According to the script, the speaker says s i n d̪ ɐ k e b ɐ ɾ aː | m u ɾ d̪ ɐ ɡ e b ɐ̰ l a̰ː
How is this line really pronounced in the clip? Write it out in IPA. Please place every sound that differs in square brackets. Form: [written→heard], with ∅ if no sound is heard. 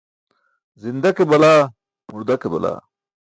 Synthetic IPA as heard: [s→z] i n d̪ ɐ k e b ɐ [ɾ→l] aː | m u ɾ d̪ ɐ [ɡ→k] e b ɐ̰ l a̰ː